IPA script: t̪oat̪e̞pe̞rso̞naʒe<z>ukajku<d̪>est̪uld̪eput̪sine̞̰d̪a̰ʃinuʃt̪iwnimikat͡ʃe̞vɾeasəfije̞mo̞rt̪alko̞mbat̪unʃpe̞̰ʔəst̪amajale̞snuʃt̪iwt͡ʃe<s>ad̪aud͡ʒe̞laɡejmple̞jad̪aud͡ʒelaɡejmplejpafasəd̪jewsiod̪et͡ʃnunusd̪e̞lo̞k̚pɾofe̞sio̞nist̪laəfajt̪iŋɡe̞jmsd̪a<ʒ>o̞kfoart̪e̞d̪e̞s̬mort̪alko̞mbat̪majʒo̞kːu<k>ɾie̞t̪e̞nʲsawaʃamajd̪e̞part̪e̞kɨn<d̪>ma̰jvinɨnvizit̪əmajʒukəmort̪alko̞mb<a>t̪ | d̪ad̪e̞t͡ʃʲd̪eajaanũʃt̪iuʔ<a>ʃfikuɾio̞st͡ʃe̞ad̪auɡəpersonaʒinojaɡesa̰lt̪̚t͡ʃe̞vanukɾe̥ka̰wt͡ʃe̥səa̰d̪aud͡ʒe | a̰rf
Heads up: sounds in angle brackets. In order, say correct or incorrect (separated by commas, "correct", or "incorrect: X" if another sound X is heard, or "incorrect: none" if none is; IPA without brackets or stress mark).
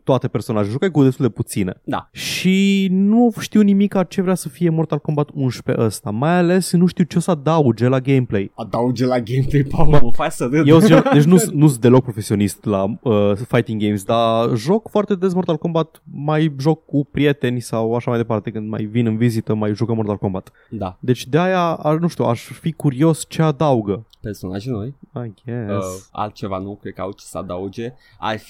incorrect: ʒ, correct, correct, correct, incorrect: p, correct, correct, correct